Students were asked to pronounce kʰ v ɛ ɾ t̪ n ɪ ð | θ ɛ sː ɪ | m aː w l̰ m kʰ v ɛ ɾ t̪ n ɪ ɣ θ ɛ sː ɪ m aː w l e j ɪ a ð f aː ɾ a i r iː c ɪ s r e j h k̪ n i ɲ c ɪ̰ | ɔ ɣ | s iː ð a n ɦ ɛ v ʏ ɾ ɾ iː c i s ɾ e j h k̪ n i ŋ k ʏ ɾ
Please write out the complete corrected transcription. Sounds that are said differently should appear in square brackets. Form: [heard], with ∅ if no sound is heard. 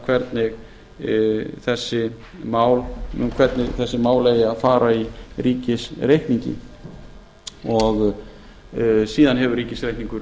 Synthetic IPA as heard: kʰ v ɛ ɾ t̪ n ɪ [ɣ] | θ ɛ sː ɪ | m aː w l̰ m kʰ v ɛ ɾ t̪ n ɪ ɣ θ ɛ sː ɪ m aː w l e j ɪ a ð f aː ɾ a i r iː c ɪ s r e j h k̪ n i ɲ c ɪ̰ | ɔ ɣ | s iː ð a n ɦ ɛ v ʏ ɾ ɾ iː c [ɪ] s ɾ e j h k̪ n i ŋ k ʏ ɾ